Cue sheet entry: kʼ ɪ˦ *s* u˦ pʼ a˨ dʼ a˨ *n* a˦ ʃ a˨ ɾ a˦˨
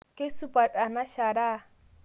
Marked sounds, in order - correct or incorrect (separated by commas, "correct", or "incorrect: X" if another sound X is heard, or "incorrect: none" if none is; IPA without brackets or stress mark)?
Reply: correct, correct